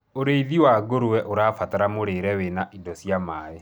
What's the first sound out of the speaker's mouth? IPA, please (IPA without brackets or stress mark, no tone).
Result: o